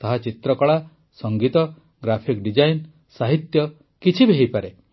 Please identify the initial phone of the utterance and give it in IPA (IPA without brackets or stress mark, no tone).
t̪